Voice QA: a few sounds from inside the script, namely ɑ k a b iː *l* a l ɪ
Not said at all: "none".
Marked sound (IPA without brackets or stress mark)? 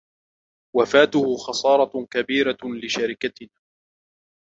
ɾ